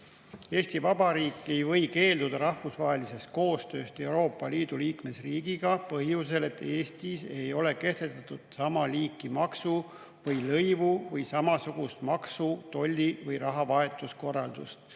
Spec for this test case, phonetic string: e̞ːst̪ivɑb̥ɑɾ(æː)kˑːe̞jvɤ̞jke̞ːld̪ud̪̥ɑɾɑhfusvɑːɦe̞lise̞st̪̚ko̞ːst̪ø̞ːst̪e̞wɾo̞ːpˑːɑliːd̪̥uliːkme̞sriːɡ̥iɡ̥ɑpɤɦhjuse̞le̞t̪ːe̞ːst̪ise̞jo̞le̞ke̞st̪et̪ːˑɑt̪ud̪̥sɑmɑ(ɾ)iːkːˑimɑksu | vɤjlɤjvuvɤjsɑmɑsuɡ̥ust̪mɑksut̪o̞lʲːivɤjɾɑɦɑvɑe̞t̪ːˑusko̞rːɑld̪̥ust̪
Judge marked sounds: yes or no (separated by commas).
no, no